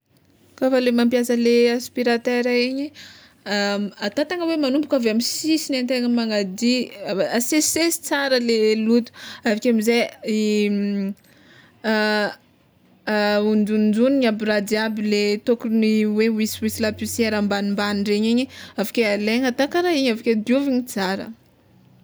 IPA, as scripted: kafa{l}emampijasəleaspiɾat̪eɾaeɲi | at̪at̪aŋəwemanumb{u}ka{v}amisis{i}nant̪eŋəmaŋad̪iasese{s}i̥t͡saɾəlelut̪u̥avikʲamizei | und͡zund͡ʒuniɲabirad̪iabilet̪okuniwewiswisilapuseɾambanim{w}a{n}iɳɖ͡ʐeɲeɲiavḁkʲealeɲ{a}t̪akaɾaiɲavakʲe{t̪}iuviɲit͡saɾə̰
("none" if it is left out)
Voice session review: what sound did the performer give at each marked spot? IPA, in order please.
l, u, v, i, s, b, n, a, d̪

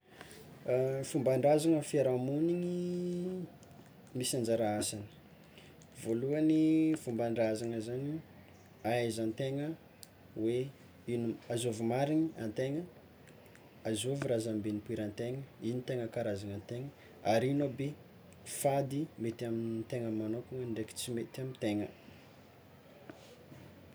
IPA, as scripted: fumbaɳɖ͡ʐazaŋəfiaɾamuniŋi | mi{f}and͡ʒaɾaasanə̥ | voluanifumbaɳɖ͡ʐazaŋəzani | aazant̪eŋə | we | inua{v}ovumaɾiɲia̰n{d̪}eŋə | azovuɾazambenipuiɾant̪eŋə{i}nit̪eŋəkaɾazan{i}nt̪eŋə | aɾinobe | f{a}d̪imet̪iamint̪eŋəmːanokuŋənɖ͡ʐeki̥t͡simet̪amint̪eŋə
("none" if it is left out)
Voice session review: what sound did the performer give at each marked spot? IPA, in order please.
s, z, t̪, i, a, a

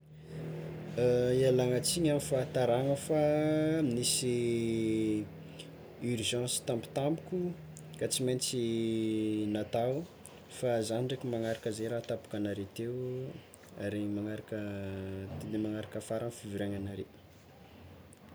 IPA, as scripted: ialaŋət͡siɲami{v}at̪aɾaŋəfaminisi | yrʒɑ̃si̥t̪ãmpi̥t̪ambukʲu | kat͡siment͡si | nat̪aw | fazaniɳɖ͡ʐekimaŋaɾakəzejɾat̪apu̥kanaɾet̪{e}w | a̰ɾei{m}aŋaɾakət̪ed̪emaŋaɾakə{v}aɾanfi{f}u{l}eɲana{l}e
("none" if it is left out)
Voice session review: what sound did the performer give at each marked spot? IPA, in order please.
f, e, m, f, v, ɾ, ɾ

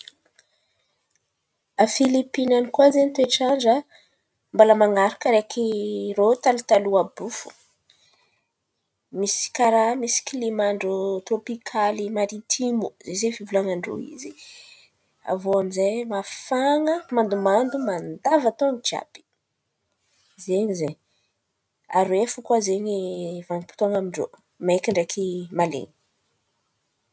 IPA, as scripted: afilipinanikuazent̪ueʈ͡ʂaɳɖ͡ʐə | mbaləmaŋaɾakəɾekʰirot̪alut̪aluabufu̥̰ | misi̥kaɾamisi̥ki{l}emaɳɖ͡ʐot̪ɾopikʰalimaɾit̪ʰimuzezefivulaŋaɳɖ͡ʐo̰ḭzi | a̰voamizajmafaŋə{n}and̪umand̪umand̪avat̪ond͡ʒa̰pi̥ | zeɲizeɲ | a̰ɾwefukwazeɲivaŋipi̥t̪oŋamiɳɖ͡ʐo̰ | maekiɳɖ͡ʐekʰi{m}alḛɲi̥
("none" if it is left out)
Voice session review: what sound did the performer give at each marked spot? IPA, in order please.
l, m, m

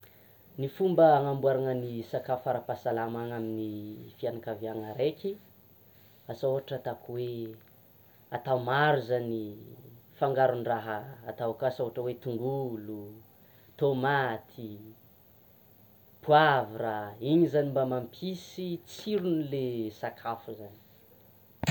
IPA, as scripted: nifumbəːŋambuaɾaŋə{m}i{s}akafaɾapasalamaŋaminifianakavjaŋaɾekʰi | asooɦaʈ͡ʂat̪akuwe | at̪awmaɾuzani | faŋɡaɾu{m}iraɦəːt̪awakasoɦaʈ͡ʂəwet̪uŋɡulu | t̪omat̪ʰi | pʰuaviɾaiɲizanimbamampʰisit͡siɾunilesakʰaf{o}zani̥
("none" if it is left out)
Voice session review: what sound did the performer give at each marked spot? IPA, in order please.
n, s, n, u

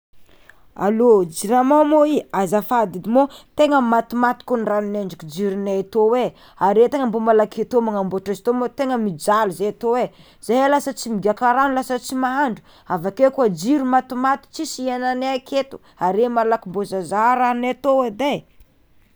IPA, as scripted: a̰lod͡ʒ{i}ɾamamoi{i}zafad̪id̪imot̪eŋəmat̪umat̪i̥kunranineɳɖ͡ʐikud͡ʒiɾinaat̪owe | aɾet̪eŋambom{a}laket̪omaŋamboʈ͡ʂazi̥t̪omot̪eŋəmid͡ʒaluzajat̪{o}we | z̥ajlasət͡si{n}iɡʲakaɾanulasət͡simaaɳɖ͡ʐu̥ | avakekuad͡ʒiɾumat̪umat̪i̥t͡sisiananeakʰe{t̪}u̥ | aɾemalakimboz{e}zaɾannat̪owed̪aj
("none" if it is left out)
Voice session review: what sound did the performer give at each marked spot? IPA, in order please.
i, a, a, o, m, t̪, a

